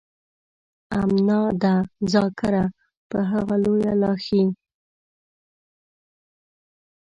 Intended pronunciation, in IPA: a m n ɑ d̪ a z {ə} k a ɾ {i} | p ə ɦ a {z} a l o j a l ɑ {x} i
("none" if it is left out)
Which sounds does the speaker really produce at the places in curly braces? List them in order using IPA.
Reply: ɑ, a, ɣ, x

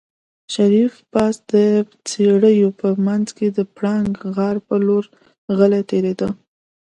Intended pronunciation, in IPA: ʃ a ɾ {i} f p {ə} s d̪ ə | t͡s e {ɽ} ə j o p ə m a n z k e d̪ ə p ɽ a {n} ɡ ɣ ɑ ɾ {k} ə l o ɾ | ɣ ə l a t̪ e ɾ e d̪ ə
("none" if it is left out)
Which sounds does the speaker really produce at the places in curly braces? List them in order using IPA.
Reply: i, ɑ, ɽ, ŋ, p

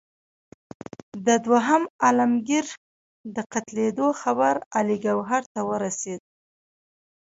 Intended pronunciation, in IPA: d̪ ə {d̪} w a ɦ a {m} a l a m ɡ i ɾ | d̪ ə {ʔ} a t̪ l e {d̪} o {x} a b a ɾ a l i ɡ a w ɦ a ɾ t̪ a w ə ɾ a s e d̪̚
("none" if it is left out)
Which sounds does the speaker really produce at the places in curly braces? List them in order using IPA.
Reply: d̪, m, q, d̪, x

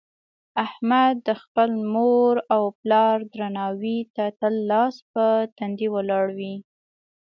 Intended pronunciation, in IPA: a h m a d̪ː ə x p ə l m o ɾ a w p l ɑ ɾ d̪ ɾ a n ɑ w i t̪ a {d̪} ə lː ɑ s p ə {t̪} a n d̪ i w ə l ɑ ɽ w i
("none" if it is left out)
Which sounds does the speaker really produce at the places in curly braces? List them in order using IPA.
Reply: t̪, t̪

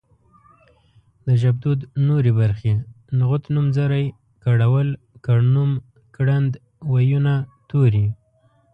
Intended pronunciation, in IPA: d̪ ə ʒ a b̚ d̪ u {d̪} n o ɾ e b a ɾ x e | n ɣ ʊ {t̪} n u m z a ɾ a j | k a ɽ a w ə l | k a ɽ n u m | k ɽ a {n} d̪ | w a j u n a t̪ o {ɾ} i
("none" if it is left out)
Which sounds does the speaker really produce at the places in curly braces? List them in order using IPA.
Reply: d̪, t̪, n, ɾ

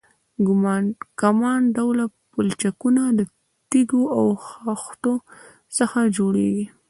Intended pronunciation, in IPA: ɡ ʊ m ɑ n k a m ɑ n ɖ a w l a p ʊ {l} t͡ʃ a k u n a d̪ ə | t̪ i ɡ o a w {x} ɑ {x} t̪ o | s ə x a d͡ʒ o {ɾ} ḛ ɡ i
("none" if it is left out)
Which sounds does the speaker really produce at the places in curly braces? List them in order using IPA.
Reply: l, x, x, ɽ

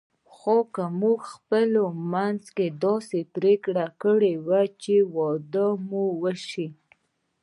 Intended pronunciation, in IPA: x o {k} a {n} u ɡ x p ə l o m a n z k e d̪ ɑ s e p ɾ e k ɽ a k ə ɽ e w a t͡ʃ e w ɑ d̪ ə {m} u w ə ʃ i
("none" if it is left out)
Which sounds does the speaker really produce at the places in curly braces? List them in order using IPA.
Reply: k, m, m

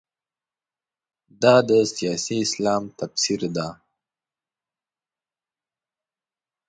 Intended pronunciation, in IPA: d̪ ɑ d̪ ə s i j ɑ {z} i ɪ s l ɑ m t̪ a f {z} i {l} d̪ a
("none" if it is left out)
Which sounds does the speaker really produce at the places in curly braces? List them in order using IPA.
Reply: s, s, ɾ

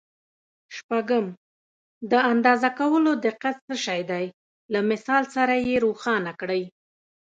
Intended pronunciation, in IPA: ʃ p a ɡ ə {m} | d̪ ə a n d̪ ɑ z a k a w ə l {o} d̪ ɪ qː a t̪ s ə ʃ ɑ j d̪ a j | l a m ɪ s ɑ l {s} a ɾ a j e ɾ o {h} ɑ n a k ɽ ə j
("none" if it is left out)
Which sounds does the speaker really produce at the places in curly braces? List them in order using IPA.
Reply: m, o, s, x

